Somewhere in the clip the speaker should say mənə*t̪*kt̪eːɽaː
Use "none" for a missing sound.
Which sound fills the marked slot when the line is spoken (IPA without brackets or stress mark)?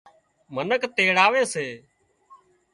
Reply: none